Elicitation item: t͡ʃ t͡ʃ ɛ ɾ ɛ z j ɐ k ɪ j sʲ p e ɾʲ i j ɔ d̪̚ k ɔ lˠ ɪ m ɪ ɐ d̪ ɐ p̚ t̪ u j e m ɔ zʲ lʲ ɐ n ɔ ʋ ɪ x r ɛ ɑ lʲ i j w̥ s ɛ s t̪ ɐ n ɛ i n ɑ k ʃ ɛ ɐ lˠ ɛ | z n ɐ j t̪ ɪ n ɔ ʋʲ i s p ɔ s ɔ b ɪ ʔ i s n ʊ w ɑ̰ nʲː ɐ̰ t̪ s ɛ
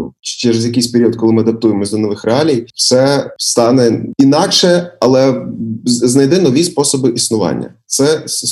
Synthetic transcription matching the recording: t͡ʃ t͡ʃ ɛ ɾ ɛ z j ɐ k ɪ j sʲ p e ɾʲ i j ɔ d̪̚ k ɔ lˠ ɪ m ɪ ɐ d̪ ɐ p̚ t̪ u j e m ɔ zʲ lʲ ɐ n ɔ ʋ ɪ x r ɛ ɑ lʲ i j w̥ s ɛ s t̪ ɑ n ɛ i n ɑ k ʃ ɛ ɐ lˠ ɛ | z n ɐ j d̪ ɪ n ɔ ʋʲ i s p ɔ s ɔ b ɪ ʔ i s n ʊ ʋ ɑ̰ nʲː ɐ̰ t̪ s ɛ